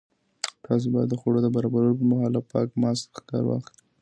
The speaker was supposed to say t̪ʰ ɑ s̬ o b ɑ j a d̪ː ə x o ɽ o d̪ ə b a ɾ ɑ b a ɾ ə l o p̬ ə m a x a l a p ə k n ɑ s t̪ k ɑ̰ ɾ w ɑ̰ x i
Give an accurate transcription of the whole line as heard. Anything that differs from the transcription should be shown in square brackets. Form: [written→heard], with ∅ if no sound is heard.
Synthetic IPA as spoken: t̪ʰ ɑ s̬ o b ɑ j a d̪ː ə x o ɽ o d̪ ə b a ɾ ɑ b a ɾ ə l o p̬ ə m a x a l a p [ə→ɑ] k [n→m] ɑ s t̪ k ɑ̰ ɾ w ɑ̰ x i